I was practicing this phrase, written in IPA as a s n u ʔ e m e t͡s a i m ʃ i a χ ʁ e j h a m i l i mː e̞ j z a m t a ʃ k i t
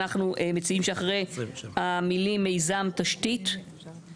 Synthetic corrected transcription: a χ n u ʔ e m e t͡s i i m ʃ e a χ ʁ e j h a m i l i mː e̞ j z a m t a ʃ t i t